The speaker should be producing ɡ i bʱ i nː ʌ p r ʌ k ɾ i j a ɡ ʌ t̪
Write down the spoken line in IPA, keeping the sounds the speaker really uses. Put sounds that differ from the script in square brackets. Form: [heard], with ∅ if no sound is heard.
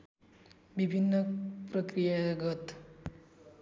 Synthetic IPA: [b] i bʱ i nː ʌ p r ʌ k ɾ i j a ɡ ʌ t̪